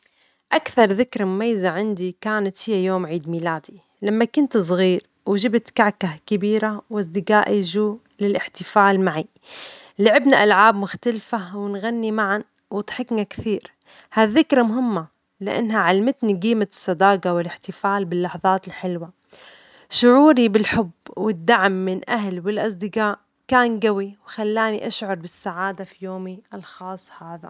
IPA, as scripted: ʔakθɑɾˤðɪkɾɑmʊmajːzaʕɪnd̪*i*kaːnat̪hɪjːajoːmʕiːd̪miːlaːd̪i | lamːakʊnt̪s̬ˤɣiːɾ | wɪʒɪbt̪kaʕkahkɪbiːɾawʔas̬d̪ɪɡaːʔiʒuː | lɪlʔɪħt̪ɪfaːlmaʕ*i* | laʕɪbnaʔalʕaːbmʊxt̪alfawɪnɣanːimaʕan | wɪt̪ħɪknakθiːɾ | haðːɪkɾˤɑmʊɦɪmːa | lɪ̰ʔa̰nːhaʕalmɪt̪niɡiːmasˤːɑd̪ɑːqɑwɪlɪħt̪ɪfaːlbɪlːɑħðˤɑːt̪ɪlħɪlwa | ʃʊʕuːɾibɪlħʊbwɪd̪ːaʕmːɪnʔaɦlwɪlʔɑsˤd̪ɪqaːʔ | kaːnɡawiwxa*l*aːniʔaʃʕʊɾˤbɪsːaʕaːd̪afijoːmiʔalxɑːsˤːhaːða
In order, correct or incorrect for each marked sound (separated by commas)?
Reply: correct, correct, incorrect